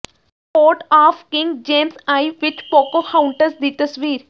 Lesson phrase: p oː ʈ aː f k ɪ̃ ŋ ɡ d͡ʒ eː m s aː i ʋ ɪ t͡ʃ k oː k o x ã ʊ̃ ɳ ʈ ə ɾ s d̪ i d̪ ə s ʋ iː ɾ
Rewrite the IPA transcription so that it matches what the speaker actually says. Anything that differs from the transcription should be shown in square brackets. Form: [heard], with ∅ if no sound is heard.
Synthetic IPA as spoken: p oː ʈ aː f k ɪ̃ ŋ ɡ d͡ʒ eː m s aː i ʋ ɪ t͡ʃ [p] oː k o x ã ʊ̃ ɳ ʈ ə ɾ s d̪ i [t̪] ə s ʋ iː ɾ